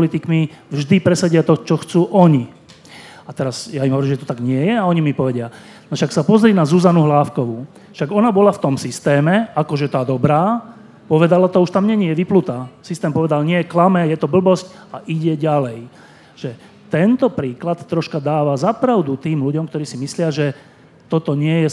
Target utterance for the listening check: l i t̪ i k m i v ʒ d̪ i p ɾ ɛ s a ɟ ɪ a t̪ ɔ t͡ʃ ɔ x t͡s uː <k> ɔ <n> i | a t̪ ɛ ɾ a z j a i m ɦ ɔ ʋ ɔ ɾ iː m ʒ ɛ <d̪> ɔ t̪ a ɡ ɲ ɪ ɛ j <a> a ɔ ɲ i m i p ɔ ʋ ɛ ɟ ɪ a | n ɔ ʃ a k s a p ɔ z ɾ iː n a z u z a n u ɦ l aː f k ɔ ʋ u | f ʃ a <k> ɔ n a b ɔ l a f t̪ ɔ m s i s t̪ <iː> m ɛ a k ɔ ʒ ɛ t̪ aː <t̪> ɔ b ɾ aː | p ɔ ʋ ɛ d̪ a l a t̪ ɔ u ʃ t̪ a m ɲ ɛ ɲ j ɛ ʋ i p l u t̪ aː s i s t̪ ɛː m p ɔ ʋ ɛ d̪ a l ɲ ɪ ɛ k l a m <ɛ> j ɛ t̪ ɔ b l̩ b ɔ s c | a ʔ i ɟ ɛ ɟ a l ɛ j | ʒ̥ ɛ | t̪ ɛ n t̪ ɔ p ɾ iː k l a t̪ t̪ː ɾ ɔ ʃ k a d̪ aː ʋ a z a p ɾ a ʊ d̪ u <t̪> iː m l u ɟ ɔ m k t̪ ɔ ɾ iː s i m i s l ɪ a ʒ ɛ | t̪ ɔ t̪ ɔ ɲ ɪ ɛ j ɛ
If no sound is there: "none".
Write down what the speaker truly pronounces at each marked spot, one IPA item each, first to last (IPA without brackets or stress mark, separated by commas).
ʔ, ɲ, t̪, ɛ, ɡ, ɛː, d̪, ɛ, t̪